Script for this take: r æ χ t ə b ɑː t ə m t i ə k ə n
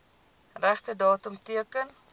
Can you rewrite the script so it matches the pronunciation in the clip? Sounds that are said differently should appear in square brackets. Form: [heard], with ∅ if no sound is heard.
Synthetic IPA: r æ χ t ə [d] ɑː t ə m t i ə k ə n